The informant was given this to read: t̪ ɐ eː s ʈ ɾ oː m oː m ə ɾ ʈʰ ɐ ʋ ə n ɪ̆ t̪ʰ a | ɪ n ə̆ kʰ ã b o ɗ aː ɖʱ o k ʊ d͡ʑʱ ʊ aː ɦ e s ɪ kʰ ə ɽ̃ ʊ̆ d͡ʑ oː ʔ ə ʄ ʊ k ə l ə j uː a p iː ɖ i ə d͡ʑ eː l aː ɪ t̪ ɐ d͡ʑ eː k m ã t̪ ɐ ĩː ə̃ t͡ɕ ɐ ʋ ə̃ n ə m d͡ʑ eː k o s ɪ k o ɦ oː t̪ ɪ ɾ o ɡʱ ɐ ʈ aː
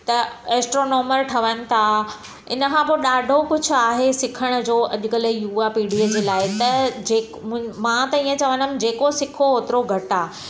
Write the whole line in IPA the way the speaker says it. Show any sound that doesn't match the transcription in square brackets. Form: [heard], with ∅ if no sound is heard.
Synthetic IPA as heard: t̪ ɐ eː s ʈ ɾ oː [n] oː m ə ɾ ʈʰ ɐ ʋ ə n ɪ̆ t̪ʰ a | ɪ n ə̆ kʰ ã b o ɗ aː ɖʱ o k ʊ d͡ʑʱ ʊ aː ɦ e s ɪ kʰ ə ɽ̃ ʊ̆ d͡ʑ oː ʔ [ɐ] ʄ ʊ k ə l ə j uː a p iː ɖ i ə d͡ʑ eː l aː ɪ t̪ ɐ d͡ʑ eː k m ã t̪ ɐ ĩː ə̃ t͡ɕ ɐ ʋ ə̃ n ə m d͡ʑ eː k o s ɪ [kʰ] o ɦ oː t̪ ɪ ɾ o ɡʱ ɐ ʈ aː